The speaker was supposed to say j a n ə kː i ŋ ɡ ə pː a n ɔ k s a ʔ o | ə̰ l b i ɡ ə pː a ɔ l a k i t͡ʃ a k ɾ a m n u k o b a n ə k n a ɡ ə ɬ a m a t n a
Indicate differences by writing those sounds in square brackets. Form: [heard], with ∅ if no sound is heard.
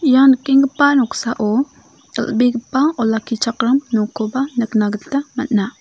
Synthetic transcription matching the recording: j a n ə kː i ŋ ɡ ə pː a n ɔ k s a ʔ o | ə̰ l b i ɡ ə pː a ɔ l a k i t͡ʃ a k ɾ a m n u k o b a n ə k n a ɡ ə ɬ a m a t n a